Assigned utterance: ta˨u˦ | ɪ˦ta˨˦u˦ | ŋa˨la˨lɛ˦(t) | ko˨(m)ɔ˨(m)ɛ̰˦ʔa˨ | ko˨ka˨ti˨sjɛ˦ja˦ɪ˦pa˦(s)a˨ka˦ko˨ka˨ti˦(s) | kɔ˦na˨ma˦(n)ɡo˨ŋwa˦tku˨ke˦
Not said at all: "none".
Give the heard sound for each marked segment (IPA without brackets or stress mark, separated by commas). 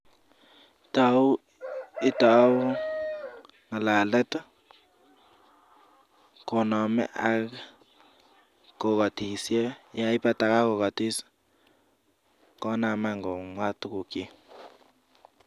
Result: t, n, m, t, s, ŋ